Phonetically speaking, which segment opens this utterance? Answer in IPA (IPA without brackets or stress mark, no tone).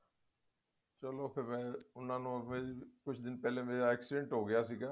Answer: t͡ʃ